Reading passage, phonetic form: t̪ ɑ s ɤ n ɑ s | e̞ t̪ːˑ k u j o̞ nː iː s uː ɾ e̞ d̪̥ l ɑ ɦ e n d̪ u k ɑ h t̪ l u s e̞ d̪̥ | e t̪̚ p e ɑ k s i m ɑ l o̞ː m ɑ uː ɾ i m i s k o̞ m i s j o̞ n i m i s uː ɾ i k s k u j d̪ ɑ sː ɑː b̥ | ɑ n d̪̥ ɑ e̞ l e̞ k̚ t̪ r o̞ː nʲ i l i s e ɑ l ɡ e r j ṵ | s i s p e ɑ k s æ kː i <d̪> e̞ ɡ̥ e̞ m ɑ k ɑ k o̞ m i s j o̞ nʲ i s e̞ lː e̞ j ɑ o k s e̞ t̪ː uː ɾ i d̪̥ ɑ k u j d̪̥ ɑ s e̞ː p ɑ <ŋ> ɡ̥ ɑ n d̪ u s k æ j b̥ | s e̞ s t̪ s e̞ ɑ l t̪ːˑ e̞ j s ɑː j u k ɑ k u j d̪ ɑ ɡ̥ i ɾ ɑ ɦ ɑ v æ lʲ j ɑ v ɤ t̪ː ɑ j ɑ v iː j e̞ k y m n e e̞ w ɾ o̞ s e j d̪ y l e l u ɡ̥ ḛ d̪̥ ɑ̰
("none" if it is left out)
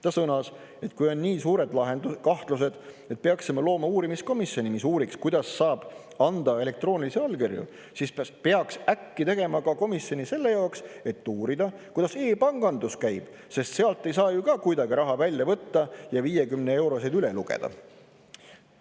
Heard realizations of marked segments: t̪, ŋ

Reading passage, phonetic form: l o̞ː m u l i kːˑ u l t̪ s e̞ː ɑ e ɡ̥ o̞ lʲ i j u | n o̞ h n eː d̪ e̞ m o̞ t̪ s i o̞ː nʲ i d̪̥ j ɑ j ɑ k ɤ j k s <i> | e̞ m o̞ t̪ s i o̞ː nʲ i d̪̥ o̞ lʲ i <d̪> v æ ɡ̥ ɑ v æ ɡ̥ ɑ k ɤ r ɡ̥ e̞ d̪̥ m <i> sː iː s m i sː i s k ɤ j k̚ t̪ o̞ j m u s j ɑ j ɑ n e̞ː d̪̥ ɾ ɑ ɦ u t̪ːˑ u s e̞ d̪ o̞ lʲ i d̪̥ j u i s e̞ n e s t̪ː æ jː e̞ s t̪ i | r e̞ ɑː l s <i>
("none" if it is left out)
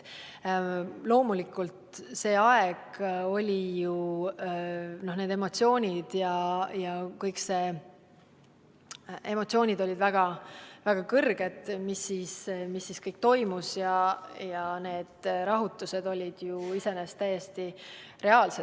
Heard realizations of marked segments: e, d̪, i, e

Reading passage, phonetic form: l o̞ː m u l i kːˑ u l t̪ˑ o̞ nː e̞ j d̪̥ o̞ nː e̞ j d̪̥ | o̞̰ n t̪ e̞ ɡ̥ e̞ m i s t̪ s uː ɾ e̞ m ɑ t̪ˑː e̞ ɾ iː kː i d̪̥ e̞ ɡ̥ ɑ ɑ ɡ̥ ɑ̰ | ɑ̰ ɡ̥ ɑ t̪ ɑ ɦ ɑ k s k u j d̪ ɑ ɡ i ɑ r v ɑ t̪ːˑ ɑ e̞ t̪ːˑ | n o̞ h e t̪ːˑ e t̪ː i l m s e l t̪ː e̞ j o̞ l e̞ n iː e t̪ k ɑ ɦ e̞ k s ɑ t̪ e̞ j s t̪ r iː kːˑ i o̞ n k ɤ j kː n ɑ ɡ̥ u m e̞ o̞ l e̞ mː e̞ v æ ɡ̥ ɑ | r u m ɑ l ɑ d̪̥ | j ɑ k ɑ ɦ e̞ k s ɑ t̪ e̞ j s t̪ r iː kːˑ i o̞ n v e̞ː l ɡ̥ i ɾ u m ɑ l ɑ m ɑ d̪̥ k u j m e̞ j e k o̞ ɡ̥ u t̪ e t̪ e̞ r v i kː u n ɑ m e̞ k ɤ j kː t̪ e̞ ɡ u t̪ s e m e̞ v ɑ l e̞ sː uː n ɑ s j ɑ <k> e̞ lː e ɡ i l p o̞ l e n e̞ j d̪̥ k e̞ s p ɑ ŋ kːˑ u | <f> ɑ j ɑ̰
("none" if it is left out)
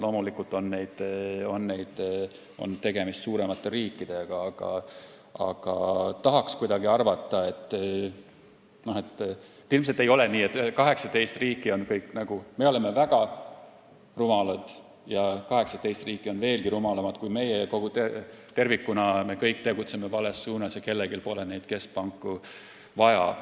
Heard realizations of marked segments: k, v

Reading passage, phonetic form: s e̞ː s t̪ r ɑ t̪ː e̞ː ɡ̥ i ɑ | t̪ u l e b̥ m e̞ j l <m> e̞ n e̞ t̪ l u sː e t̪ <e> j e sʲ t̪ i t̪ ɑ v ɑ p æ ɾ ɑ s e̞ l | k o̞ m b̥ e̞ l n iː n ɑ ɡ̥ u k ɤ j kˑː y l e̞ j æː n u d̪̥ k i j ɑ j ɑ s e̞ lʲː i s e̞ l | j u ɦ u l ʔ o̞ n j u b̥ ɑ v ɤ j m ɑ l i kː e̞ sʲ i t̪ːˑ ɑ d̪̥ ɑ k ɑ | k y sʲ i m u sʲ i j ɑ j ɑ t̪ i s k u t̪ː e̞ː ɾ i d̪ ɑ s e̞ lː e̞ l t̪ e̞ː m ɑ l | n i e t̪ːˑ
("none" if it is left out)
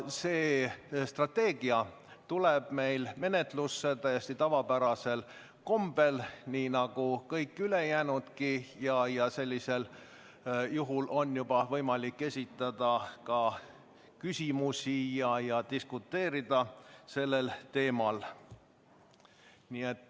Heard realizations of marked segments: m, æ

